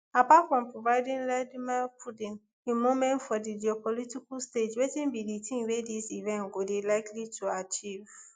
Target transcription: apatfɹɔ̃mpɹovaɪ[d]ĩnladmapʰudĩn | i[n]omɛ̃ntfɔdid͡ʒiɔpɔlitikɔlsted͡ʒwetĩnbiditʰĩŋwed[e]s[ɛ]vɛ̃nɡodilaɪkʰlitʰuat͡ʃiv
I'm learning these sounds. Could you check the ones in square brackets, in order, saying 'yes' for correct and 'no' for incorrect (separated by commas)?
yes, no, no, no